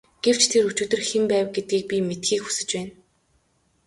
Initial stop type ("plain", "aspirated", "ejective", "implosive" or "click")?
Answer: plain